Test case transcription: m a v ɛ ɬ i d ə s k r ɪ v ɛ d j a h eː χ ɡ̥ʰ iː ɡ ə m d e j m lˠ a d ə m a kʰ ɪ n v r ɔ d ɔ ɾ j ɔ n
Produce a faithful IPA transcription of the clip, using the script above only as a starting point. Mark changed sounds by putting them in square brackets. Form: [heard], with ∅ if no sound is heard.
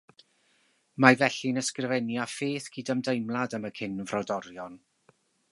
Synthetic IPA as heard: m a v ɛ ɬ i [n] ə s k r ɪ v ɛ [n] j a [f] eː [θ] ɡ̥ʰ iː [d] ə m d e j m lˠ a d ə m [ə] kʰ ɪ n v r ɔ d ɔ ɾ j ɔ n